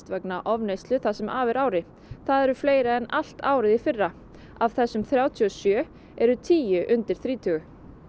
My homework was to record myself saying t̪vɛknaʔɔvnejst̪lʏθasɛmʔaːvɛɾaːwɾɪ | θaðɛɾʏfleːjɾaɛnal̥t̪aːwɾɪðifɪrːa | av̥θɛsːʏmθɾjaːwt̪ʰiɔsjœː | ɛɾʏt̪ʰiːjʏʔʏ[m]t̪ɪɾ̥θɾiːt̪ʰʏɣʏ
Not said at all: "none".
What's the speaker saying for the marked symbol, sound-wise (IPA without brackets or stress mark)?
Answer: n